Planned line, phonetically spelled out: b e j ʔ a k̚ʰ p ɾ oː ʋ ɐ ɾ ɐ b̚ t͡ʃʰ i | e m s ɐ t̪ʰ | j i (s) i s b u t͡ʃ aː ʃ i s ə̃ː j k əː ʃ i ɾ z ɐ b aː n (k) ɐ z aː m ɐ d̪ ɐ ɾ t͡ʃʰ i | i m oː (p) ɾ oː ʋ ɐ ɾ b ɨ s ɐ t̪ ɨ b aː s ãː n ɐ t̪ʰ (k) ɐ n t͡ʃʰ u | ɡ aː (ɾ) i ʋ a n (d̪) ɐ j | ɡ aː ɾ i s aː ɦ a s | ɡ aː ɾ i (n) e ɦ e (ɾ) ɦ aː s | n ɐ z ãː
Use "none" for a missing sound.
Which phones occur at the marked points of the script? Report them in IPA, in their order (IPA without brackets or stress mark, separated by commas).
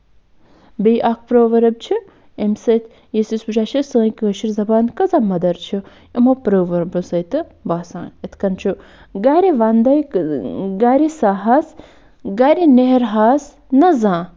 s, k, p, k, ɾ, d̪, n, ɾ